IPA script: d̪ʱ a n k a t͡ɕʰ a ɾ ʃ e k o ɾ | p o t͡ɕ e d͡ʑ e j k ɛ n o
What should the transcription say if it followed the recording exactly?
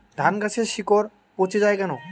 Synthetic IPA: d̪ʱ a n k a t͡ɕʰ e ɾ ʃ i k o ɾ | p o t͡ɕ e d͡ʑ a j k ɛ n o